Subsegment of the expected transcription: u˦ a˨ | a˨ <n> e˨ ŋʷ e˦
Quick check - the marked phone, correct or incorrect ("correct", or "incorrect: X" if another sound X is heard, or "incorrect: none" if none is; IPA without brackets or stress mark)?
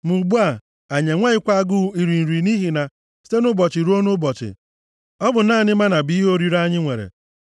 incorrect: ɲ